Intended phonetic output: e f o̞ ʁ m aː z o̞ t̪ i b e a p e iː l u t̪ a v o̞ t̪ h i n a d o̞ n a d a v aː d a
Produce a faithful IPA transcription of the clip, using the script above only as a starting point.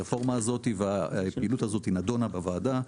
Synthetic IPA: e f o̞ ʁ m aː z o̞ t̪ i v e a p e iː l u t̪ a z o̞ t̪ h i n a d o̞ n a b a v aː d a